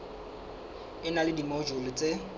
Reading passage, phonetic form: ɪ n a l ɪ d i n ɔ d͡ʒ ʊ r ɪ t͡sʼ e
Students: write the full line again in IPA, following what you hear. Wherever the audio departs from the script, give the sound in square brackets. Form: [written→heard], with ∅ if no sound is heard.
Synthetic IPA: ɪ n a l ɪ d i [n→m] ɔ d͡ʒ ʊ [r→l] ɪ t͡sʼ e